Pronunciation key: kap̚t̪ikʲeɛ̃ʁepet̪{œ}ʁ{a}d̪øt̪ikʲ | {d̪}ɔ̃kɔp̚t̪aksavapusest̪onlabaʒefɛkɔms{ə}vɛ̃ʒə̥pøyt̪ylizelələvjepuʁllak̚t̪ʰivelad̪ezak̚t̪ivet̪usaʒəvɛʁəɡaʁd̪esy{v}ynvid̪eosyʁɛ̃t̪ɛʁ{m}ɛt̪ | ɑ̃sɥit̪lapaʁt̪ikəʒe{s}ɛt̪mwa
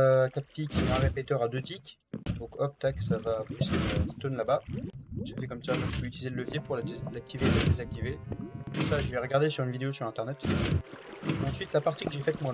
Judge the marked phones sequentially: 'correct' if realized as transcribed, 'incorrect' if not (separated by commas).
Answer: correct, correct, correct, incorrect, incorrect, incorrect, incorrect